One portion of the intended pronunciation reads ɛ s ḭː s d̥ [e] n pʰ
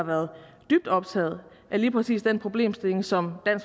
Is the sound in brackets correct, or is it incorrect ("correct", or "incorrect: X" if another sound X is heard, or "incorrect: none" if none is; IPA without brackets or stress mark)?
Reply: correct